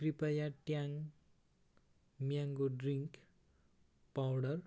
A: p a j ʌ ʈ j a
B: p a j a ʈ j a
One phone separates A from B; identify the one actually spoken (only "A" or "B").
B